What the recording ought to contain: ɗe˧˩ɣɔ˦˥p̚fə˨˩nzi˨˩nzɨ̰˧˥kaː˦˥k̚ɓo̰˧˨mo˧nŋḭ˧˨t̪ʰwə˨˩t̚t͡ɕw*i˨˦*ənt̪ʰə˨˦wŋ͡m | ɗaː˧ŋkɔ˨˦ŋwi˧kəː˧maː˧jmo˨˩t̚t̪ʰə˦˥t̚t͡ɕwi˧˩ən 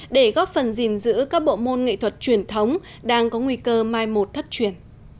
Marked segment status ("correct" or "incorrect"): incorrect